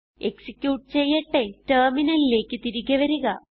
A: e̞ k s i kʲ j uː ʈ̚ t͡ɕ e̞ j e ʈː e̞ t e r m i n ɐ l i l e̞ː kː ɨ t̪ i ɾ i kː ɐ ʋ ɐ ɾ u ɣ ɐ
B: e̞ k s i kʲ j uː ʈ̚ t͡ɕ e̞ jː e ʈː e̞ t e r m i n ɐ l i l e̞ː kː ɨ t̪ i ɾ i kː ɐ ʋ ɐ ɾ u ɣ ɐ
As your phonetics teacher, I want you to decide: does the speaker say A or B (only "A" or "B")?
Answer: B